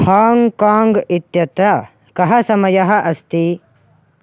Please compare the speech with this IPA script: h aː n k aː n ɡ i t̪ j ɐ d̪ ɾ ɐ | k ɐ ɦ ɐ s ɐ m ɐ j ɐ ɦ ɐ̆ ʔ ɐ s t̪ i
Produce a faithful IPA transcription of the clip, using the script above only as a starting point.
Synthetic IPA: h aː ŋ k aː ŋ ɡ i t̪ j ɐ t̪ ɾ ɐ | k ɐ ɦ ɐ s ɐ m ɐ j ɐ ɦ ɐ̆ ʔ ɐ s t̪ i